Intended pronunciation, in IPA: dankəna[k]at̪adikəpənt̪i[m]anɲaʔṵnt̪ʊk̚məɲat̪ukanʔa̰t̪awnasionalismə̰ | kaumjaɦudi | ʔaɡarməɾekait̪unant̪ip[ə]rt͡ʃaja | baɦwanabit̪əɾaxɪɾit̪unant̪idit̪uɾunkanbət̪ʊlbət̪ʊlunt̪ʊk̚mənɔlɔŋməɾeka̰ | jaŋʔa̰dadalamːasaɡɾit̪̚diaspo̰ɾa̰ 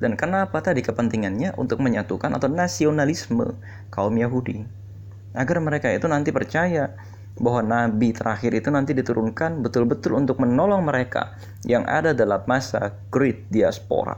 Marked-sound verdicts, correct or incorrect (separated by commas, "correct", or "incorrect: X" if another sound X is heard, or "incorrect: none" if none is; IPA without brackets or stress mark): incorrect: p, incorrect: ŋ, correct